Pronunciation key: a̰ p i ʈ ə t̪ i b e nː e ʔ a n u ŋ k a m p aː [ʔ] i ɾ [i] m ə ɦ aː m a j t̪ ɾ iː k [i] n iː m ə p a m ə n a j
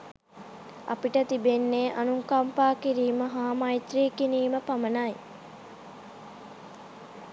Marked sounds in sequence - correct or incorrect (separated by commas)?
incorrect, incorrect, correct